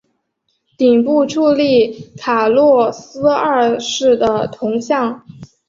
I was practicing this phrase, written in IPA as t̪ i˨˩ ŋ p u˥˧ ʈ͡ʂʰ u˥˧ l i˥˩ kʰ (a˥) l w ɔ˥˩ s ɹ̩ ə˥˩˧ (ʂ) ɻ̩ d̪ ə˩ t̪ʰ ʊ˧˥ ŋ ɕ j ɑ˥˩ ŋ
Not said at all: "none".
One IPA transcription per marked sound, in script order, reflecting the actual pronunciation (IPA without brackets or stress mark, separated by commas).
a˨˩, ʂ